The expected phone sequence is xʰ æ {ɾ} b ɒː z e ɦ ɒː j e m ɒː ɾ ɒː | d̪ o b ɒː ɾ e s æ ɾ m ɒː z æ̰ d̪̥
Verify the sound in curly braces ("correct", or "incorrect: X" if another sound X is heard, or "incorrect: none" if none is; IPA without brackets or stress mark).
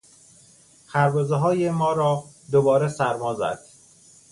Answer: correct